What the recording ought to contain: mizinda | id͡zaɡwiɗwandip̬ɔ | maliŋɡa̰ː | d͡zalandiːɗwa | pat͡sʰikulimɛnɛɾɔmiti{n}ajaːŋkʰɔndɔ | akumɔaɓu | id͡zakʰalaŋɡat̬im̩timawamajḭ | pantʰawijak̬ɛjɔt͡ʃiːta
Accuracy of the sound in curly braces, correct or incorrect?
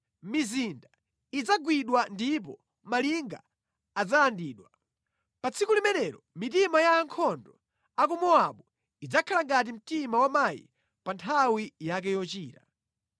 incorrect